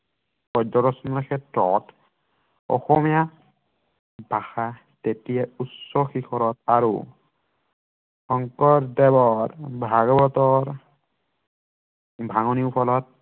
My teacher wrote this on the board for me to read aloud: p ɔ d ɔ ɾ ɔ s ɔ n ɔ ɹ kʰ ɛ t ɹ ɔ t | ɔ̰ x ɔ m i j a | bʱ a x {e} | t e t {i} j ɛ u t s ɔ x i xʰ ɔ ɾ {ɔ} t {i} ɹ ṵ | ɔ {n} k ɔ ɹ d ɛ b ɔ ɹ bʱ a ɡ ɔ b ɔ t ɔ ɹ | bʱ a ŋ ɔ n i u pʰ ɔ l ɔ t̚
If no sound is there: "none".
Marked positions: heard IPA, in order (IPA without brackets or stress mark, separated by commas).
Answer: a, i, ɔ, a, ŋ